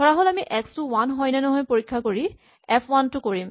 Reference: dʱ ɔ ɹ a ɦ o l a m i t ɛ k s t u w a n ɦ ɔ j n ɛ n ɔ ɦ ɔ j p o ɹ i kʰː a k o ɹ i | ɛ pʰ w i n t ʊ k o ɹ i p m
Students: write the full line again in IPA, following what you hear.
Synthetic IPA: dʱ ɔ ɹ a ɦ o l a m i ʔ ɛ k s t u w a n ɦ ɔ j n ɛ n ɔ ɦ ɔ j p o ɹ i kʰː a k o ɹ i | ɛ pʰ w a n t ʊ k o ɹ i m